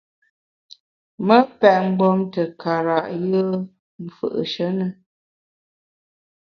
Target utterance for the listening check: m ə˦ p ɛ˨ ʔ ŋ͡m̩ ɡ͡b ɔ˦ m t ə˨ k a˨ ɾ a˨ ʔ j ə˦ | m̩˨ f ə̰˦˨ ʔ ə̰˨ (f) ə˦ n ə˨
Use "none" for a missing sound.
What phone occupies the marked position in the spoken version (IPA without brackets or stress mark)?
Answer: ʃ